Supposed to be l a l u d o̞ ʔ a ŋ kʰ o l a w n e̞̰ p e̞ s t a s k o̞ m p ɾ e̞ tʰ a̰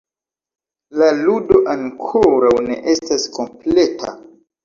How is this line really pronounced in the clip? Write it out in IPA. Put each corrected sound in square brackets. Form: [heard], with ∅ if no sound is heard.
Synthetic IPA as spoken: l a l u d o̞ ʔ a ŋ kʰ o [ɾ] a w n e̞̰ [ʔ] e̞ s t a s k o̞ m p [l] e̞ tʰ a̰

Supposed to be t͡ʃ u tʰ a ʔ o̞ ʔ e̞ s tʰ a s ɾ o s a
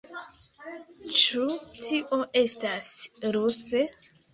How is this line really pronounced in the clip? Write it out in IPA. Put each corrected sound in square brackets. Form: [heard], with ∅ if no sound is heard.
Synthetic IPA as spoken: t͡ʃ u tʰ [i] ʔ o̞ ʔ e̞ s [t] a s ɾ [u] s [e]

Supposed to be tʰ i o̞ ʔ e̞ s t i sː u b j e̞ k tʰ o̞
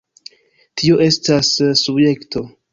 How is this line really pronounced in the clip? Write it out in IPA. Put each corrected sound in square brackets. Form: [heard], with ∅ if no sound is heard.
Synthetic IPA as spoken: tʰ i o̞ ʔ e̞ s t [a] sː u b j e̞ k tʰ o̞

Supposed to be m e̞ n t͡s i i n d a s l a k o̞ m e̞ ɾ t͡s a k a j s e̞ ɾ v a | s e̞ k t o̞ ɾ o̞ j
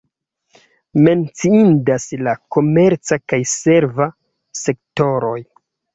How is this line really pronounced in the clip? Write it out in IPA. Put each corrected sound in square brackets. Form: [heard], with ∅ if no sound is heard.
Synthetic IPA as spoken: m e̞ n t͡s i i n d a s l a k o̞ m e̞ ɾ t͡s a k a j s e̞ ɾ v a | s e̞ k t o̞ ɾ o̞ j

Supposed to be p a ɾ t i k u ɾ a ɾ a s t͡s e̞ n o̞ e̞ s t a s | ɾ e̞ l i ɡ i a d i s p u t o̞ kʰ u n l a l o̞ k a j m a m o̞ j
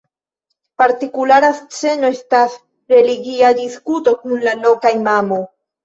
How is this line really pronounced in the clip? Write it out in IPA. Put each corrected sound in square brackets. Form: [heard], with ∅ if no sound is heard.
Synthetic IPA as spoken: p a ɾ t i k u [l] a ɾ a s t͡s e̞ n o̞ e̞ s t a s | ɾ e̞ l i ɡ i a d i s [k] u t o̞ [k] u n l a l o̞ k a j m a m o̞ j

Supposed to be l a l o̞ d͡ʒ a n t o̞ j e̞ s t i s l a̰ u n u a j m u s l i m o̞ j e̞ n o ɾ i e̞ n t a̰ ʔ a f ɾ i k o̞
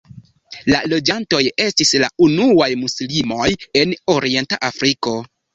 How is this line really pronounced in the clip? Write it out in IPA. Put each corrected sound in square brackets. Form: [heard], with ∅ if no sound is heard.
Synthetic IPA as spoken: l a l o̞ d͡ʒ a n t o̞ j e̞ s t i s l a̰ u n u a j m u s l i m o̞ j e̞ n o ɾ i e̞ n t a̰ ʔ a f ɾ i k o̞

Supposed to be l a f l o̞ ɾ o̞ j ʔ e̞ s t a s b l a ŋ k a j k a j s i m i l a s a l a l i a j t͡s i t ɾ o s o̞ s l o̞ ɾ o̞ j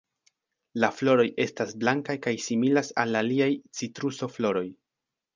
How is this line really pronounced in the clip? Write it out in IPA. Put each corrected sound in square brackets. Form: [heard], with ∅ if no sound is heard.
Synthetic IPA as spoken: l a f l o̞ ɾ o̞ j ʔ e̞ s t a s b l a ŋ k a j k a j s i m i l a s a l a l i a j t͡s i t ɾ [u] s o̞ [f] l o̞ ɾ o̞ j

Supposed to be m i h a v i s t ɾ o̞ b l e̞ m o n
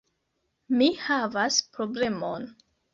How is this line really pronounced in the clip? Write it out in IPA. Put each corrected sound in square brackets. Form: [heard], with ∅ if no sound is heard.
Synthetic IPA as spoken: m i h a v [a] s [p] ɾ o̞ b l e̞ m o n

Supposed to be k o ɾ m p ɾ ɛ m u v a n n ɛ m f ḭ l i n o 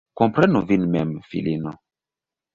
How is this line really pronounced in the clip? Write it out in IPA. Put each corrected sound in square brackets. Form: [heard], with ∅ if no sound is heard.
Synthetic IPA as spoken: k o [∅] m p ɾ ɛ [n] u v [i] n [m] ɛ m f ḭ l i n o

